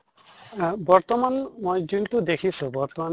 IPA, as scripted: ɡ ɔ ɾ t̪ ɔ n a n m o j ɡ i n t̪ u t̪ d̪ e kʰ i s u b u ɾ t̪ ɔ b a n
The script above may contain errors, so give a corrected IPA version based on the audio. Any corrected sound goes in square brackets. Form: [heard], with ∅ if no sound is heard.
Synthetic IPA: [b] ɔ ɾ t̪ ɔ [m] a n m o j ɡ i n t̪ u [∅] d̪ e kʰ i s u b [ɔ] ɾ t̪ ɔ [m] a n